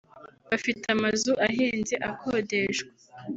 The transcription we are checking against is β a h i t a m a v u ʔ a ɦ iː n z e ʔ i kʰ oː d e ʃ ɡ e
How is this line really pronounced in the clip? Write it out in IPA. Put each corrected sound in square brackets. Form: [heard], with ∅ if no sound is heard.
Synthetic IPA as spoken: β a [f] i t a m a [z] u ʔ a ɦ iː n z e ʔ [a] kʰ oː d e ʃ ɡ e